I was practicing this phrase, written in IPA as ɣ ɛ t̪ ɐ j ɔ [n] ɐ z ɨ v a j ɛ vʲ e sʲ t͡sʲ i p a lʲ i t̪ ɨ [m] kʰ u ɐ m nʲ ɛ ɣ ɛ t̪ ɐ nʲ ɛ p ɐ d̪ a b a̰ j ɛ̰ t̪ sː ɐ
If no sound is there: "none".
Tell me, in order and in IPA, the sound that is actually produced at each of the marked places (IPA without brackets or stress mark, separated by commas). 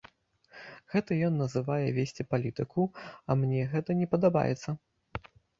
nː, none